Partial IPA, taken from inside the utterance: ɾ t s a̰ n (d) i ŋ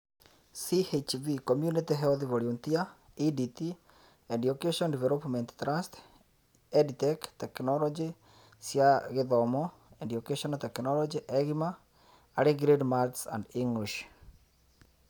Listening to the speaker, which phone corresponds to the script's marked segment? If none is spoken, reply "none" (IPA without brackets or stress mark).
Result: d